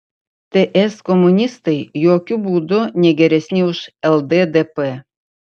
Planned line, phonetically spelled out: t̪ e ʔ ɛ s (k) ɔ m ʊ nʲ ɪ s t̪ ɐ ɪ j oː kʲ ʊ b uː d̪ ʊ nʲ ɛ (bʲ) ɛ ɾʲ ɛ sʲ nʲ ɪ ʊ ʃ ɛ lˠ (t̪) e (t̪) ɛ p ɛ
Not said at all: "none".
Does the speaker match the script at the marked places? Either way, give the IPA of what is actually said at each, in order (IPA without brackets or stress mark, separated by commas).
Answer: k, ɡʲ, d̪, d̪